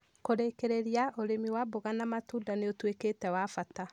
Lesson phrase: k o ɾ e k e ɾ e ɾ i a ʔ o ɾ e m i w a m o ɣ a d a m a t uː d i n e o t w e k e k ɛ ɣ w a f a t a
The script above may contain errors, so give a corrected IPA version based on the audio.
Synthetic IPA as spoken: k o ɾ e k e ɾ e ɾ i a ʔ o ɾ e m i w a b o ɣ a n a m a t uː d a n e o t w e k e t ɛ w a f a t a